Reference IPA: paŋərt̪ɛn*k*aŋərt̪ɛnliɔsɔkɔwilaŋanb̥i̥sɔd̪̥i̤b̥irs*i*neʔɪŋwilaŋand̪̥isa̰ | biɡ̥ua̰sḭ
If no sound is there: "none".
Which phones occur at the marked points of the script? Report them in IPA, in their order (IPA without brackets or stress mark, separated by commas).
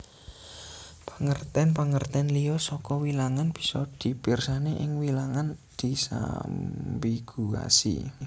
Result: p, a